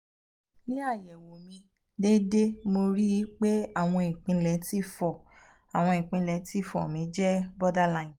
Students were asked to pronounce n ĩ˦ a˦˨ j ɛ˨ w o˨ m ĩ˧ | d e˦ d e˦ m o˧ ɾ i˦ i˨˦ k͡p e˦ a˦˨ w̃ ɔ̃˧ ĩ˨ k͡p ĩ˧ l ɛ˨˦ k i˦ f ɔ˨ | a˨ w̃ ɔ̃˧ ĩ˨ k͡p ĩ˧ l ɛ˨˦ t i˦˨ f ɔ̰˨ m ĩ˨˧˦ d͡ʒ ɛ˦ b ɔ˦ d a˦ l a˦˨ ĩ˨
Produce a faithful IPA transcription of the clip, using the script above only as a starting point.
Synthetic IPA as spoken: n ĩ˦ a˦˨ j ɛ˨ w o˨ m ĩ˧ | d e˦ d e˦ m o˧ ɾ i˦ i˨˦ k͡p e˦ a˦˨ w̃ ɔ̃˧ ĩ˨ k͡p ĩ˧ l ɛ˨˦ t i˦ f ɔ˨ | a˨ w̃ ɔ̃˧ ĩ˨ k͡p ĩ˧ l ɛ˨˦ t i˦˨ f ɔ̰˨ m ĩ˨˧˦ d͡ʒ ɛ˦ b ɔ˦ d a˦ l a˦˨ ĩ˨

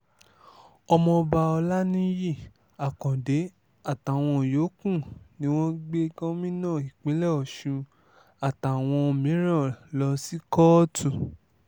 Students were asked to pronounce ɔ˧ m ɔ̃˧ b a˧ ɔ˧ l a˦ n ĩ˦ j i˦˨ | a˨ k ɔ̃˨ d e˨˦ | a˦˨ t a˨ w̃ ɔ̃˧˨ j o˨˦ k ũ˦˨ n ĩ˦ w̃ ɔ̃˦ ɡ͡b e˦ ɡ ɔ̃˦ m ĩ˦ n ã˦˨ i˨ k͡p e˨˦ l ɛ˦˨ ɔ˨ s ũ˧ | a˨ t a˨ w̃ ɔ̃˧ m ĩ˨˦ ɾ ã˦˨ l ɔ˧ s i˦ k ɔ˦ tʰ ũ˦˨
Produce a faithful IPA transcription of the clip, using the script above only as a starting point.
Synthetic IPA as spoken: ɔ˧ m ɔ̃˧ b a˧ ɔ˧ l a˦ n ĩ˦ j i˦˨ | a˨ k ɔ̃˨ d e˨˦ | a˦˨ t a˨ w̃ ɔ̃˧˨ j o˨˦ k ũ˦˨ n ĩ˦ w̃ ɔ̃˦ ɡ͡b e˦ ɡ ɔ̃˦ m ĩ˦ n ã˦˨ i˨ k͡p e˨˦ l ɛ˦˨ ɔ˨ ʃ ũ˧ | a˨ t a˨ w̃ ɔ̃˧ m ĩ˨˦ ɾ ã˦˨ l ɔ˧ s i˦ k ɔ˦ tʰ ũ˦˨

